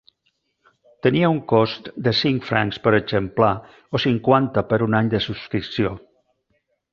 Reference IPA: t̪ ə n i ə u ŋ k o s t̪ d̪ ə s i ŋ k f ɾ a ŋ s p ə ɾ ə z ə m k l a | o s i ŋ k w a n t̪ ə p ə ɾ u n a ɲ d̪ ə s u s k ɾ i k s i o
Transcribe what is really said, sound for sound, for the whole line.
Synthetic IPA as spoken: t̪ ə n i ə u ŋ k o s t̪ d̪ ə s i ŋ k f ɾ a ŋ s p ə ɾ ə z ə m p l a | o s i ŋ k w a n t̪ ə p ə ɾ u n a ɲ d̪ ə s u s k ɾ i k s i o